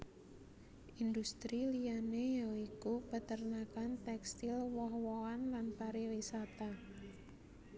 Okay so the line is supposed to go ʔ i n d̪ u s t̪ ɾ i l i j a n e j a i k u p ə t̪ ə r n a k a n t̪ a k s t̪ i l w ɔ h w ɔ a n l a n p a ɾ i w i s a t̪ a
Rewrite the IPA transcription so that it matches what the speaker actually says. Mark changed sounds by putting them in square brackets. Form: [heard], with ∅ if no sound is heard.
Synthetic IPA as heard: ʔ i n d̪ u s t̪ ɾ i l i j a n e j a i k u p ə t̪ ə r n a k a n t̪ [ɛ] k s t̪ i l w ɔ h w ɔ a n l a n p a ɾ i w i s a t̪ a